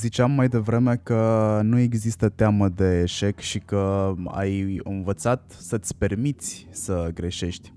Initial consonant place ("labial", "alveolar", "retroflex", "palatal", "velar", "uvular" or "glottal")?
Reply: alveolar